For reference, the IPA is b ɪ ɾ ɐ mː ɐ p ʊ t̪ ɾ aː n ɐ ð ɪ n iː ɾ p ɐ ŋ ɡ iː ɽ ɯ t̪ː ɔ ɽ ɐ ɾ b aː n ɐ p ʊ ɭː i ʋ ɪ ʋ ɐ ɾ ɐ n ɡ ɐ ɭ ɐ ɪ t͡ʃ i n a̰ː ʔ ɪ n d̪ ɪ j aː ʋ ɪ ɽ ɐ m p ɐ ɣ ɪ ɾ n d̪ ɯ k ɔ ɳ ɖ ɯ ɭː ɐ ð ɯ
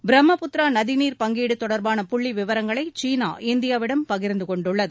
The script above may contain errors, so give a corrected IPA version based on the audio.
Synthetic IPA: b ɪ ɾ ɐ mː ɐ p ʊ t̪ ɾ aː n ɐ ð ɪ n iː ɾ p ɐ ŋ ɡ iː ɽ ɯ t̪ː ɔ ɽ ɐ ɾ b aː n ɐ p ʊ ɭː i ʋ ɪ ʋ ɐ ɾ ɐ ŋ ɡ ɐ ɭ ɐ ɪ t͡ʃ iː n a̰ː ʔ ɪ n d̪ ɪ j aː ʋ ɪ ɽ ɐ m p ɐ ɣ ɪ ɾ n d̪ ɯ k ɔ ɳ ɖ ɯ ɭː ɐ ð ɯ